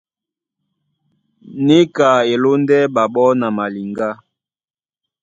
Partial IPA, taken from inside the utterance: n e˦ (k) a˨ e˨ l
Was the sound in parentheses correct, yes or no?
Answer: yes